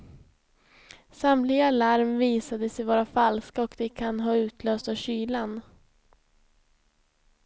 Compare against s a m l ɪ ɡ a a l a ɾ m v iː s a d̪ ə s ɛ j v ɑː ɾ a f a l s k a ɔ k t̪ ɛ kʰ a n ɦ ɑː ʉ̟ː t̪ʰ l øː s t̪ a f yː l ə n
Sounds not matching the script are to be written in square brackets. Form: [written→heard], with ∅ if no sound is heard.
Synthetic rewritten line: s a m l ɪ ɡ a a l a ɾ m v iː s a d̪ ə s ɛ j v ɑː ɾ a f a l s k a ɔ k [t̪→d̪] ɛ kʰ a n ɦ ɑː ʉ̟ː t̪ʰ l øː s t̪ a [f→ɕ] yː l [ə→a] n

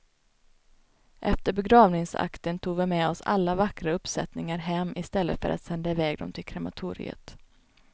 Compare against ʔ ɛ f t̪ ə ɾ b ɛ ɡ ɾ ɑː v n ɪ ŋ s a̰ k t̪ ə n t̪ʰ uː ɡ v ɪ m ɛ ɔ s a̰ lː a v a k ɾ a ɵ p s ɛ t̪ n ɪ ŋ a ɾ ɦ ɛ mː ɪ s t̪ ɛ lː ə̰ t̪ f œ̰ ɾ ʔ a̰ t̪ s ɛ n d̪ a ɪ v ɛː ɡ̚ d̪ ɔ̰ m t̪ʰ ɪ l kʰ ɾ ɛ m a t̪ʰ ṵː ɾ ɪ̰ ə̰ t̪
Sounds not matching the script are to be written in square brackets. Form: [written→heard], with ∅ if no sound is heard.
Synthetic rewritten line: ʔ ɛ f t̪ ə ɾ b ɛ ɡ ɾ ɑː v n ɪ ŋ s a̰ k t̪ ə n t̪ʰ uː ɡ v ɪ m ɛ ɔ s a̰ lː a v a k ɾ a ɵ p s ɛ t̪ n ɪ ŋ a ɾ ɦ ɛ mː ɪ s t̪ ɛ lː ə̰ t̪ f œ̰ ɾ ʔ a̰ t̪ s ɛ n d̪ a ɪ v ɛː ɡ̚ d̪ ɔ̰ m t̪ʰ ɪ l kʰ ɾ ɛ m a t̪ʰ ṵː ɾ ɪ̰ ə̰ t̪

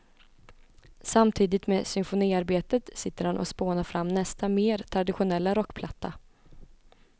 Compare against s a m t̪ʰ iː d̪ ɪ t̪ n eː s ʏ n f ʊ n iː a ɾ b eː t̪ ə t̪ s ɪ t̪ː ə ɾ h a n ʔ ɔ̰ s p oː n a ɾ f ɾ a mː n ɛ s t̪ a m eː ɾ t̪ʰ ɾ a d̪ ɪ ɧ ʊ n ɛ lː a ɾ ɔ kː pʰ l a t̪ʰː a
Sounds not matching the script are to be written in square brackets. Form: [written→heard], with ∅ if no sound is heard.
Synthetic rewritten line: s a m t̪ʰ iː d̪ ɪ t̪ [n→m] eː s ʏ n f ʊ n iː a ɾ b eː t̪ ə t̪ s ɪ t̪ː ə ɾ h a n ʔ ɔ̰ s p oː n a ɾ f ɾ a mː n ɛ s t̪ a m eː ɾ t̪ʰ ɾ a d̪ ɪ ɧ ʊ n ɛ lː a ɾ ɔ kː pʰ l a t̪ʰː a

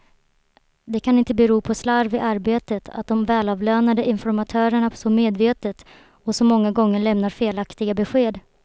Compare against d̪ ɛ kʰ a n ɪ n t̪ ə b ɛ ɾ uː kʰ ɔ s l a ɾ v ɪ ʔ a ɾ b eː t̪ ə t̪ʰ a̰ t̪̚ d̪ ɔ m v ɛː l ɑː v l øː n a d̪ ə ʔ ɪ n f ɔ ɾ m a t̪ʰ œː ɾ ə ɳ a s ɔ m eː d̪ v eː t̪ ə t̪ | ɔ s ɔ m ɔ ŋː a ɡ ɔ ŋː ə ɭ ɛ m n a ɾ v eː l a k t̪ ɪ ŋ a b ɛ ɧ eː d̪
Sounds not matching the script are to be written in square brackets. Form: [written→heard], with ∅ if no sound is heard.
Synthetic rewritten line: d̪ ɛ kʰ a n ɪ n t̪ ə b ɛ ɾ uː [kʰ→pʰ] ɔ s l a ɾ v ɪ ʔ a ɾ b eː t̪ ə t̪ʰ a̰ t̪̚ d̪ ɔ m v ɛː l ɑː v l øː n a d̪ ə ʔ ɪ n f ɔ ɾ m a t̪ʰ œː ɾ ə ɳ a s ɔ m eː d̪ v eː t̪ ə t̪ | ɔ s ɔ m ɔ ŋː a ɡ ɔ ŋː ə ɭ ɛ m n a ɾ [v→f] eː l a k t̪ ɪ [ŋ→ɡ] a b ɛ ɧ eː d̪

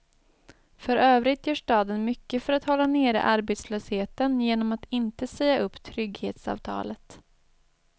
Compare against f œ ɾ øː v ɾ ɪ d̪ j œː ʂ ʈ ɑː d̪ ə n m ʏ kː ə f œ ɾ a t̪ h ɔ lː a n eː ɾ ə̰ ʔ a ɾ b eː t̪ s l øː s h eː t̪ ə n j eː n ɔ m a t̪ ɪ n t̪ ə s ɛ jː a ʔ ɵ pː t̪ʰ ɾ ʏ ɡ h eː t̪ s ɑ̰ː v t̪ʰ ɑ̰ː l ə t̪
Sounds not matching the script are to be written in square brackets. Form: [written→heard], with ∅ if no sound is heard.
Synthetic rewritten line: f œ ɾ øː v ɾ ɪ [d̪→t̪] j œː ʂ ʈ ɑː d̪ ə n m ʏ kː ə f œ ɾ a t̪ h ɔ lː a n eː ɾ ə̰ ʔ a ɾ b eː t̪ s l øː s h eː t̪ ə n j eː n ɔ m a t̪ ɪ n t̪ ə s ɛ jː a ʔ ɵ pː t̪ʰ ɾ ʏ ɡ h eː t̪ s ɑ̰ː v t̪ʰ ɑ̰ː l ə t̪

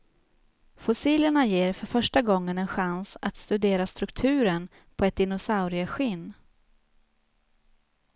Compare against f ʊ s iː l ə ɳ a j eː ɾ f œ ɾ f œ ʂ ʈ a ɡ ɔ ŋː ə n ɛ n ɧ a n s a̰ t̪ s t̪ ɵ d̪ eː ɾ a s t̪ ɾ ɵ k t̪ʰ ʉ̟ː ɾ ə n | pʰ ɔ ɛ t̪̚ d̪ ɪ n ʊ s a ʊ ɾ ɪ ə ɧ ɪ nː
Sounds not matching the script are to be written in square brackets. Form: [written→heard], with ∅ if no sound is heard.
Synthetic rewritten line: f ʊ s iː l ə ɳ a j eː ɾ f œ ɾ f œ ʂ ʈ a ɡ ɔ ŋː ə n ɛ n ɧ a n s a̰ t̪ s t̪ ɵ d̪ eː ɾ a s t̪ ɾ ɵ k t̪ʰ ʉ̟ː ɾ ə n | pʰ ɔ ɛ t̪̚ d̪ ɪ n ʊ s a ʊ ɾ ɪ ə ɧ ɪ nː

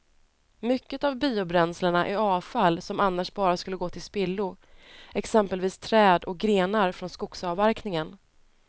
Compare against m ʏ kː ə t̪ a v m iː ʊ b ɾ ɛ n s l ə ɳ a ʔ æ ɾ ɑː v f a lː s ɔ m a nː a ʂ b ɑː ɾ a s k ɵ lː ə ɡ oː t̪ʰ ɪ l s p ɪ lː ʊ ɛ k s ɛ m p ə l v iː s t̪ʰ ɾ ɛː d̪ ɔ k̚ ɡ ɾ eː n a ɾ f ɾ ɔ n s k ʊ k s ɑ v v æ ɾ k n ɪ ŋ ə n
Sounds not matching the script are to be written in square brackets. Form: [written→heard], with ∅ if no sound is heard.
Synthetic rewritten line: m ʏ kː ə t̪ a v [m→b] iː ʊ b ɾ ɛ n s l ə ɳ a ʔ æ ɾ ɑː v f a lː s ɔ m a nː a ʂ b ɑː ɾ a s k ɵ lː ə ɡ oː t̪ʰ ɪ l s p ɪ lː ʊ ɛ k s ɛ m p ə l v iː s t̪ʰ ɾ ɛː d̪ ɔ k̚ ɡ ɾ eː n a ɾ f ɾ ɔ n s k ʊ k s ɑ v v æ ɾ k n ɪ ŋ ə n

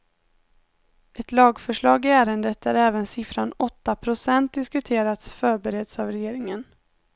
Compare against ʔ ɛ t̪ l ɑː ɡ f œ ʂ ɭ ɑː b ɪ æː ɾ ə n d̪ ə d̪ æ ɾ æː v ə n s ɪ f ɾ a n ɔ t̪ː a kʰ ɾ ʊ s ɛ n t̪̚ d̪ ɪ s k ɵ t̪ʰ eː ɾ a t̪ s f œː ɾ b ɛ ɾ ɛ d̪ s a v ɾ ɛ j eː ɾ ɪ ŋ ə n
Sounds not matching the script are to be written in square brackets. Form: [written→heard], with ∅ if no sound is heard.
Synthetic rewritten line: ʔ ɛ t̪ l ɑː ɡ f œ ʂ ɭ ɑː [b→ɡ] ɪ æː ɾ ə n d̪ ə [d̪→t̪] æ ɾ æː v ə n s ɪ f ɾ a n ɔ t̪ː a [kʰ→pʰ] ɾ ʊ s ɛ n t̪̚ d̪ ɪ s k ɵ t̪ʰ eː ɾ a t̪ s f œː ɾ b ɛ ɾ ɛ d̪ s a v ɾ ɛ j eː ɾ ɪ ŋ ə n

